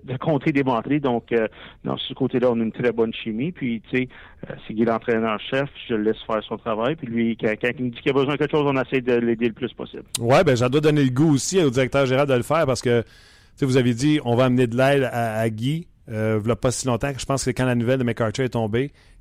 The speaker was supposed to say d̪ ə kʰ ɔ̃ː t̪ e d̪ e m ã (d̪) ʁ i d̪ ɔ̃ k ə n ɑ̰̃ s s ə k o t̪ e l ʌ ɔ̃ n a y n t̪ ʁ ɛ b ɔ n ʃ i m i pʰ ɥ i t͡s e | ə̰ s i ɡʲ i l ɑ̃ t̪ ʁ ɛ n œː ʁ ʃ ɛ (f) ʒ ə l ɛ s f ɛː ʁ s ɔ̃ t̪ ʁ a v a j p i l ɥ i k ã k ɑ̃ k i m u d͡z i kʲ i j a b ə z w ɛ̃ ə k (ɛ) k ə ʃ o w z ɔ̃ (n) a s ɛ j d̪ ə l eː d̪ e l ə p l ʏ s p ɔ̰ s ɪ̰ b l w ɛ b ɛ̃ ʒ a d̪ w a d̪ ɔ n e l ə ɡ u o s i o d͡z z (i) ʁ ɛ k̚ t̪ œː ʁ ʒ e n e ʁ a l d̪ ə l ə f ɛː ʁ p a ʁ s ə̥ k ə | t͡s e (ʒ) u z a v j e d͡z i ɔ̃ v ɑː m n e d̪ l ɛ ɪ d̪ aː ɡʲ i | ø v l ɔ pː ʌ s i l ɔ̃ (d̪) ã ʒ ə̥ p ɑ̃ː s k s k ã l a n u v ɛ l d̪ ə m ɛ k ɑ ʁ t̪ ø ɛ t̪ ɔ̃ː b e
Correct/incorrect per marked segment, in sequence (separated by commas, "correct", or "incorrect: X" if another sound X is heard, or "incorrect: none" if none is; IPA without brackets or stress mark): incorrect: t̪, correct, correct, correct, correct, incorrect: v, incorrect: t̪